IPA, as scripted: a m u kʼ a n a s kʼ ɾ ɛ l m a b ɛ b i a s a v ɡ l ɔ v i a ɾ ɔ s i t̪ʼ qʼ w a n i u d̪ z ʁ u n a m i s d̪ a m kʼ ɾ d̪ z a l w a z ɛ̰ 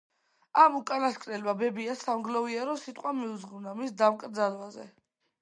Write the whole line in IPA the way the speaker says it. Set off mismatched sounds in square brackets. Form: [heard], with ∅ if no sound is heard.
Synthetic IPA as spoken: a m u kʼ a n a s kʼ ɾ ɛ l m a b ɛ b i a s a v ɡ l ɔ v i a ɾ ɔ s i t̪ʼ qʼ w a [m] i u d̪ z ʁ u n a m i s d̪ a m kʼ ɾ d̪ z a l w a z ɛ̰